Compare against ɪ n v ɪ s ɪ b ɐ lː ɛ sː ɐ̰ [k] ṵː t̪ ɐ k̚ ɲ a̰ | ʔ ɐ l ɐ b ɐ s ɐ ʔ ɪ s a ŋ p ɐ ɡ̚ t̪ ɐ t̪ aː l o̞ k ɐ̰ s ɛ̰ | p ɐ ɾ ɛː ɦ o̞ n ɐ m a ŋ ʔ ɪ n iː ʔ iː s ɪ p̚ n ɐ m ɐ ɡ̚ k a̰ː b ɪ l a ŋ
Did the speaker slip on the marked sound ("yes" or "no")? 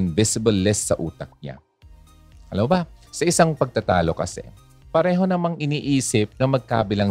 yes